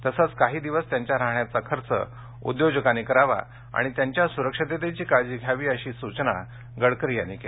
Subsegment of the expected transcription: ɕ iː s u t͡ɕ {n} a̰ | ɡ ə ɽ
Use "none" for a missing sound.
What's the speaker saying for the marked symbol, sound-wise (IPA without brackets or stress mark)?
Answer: n